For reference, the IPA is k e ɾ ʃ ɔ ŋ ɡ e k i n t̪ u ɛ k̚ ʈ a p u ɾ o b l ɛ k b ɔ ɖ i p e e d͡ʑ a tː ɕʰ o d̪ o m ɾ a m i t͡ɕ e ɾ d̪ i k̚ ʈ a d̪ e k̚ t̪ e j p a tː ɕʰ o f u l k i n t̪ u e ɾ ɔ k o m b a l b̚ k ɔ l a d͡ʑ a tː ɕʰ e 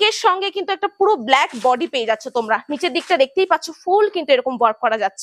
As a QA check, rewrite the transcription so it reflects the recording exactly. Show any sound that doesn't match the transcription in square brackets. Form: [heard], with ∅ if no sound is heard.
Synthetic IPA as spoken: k e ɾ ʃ ɔ ŋ ɡ e k i n t̪ u ɛ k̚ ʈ a p u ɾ o b l ɛ k b ɔ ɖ i p e e d͡ʑ a tː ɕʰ o [t̪] o m ɾ a [n] i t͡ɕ e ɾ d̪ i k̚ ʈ a d̪ e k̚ t̪ e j p a tː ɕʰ o f u l k i n t̪ u e ɾ ɔ k o m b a [ɾ] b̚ k ɔ [ɾ] a d͡ʑ a tː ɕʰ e